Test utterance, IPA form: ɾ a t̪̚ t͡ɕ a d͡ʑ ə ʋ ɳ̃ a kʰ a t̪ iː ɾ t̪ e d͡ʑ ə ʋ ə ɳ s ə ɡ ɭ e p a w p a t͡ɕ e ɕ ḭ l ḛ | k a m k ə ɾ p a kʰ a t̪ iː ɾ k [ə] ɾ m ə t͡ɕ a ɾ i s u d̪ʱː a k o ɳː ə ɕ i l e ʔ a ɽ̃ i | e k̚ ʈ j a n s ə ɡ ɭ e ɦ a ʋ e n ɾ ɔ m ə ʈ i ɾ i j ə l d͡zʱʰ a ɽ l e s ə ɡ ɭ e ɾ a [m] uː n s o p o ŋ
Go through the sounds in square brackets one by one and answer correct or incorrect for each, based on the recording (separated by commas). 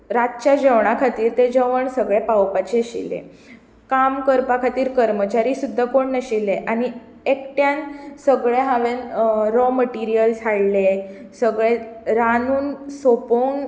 correct, incorrect